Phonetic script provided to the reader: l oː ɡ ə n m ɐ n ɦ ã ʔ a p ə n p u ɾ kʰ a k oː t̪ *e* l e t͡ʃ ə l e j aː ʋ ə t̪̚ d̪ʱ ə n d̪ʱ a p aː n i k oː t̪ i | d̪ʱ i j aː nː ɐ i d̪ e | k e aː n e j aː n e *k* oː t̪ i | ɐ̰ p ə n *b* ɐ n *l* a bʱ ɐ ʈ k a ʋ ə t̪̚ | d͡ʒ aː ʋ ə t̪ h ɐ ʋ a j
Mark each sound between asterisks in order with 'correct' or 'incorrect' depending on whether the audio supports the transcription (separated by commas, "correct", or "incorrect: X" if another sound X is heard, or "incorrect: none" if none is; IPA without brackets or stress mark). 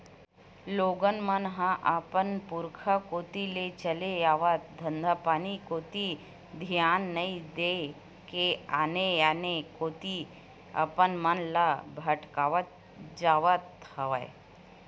incorrect: i, correct, incorrect: m, correct